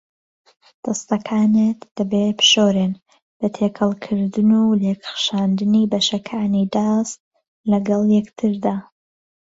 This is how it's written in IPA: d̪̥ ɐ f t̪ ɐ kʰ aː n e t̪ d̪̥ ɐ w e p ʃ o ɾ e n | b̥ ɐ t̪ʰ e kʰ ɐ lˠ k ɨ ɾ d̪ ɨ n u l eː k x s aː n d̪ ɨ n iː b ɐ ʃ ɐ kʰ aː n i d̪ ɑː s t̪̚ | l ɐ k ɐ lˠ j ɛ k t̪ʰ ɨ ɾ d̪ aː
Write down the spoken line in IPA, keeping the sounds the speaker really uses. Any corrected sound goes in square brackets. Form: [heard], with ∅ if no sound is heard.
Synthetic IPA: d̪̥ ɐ [s] t̪ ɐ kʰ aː n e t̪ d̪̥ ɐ [b] e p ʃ o ɾ e n | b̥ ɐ t̪ʰ e kʰ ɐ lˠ [kʰ] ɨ ɾ d̪ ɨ n u l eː k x [ʃ] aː n d̪ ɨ n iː b ɐ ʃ ɐ kʰ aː n i d̪ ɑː s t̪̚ | l ɐ [ɡ] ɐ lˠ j ɛ k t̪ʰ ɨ ɾ d̪ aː